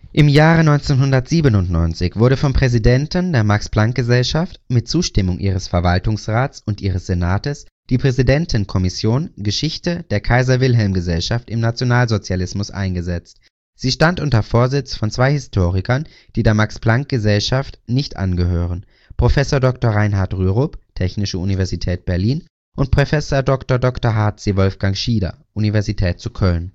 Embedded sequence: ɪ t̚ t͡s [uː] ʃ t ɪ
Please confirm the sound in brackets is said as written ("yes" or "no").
yes